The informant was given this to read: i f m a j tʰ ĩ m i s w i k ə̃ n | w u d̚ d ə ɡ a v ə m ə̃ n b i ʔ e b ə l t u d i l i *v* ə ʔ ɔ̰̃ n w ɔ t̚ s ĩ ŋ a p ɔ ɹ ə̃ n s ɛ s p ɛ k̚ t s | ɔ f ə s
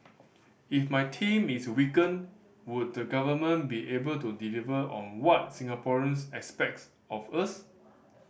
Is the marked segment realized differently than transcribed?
no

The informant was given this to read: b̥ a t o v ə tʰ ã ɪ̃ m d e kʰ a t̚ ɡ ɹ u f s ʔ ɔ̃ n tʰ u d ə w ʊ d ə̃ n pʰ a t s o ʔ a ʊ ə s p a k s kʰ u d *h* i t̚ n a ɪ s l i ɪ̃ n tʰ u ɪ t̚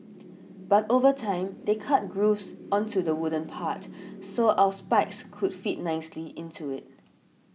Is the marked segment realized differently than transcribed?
yes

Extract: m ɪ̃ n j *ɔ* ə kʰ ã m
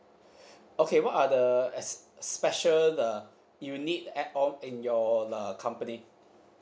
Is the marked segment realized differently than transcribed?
no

